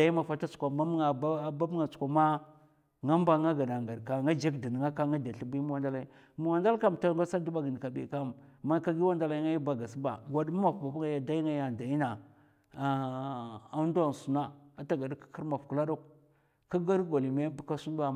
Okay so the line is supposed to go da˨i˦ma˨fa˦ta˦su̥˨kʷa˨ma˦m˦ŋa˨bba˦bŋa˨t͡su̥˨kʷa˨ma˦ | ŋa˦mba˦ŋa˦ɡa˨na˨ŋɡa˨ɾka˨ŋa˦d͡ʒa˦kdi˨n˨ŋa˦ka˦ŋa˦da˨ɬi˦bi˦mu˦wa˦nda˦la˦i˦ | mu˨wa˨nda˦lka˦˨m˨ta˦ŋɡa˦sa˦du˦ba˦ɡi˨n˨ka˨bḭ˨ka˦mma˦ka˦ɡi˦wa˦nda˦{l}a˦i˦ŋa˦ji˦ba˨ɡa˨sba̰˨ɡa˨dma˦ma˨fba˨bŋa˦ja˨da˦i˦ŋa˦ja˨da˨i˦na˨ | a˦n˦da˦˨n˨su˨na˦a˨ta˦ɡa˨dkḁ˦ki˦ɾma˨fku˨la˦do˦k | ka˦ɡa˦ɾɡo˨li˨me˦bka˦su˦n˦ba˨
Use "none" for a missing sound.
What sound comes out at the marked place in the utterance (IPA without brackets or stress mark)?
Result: l